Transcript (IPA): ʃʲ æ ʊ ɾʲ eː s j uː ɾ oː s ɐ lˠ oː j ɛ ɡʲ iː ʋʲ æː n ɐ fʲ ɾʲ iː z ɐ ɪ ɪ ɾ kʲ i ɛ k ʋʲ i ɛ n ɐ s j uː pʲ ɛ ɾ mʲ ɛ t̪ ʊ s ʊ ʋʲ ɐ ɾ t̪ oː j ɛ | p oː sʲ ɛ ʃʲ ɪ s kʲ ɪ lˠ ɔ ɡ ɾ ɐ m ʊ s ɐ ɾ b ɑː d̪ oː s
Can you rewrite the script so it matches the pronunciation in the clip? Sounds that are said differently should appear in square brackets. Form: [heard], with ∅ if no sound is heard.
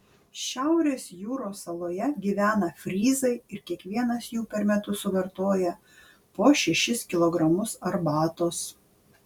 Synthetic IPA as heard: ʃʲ æ ʊ ɾʲ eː s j uː ɾ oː s ɐ lˠ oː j ɛ ɡʲ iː ʋʲ æː n ɐ fʲ ɾʲ iː z ɐ ɪ ɪ ɾ kʲ i ɛ k ʋʲ i ɛ n ɐ s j uː pʲ ɛ ɾ mʲ ɛ t̪ ʊ s ʊ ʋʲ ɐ ɾ t̪ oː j ɛ | p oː [ʃʲ] ɛ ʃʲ ɪ s kʲ ɪ lˠ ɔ ɡ ɾ ɐ m ʊ s ɐ ɾ b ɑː [t̪] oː s